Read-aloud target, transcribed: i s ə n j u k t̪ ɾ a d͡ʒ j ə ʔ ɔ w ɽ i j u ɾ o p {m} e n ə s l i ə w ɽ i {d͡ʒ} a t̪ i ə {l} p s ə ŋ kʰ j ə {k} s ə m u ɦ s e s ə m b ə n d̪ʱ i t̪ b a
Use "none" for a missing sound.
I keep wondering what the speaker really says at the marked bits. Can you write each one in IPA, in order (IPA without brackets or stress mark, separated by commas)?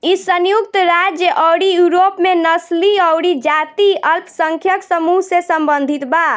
m, d͡ʒ, l, k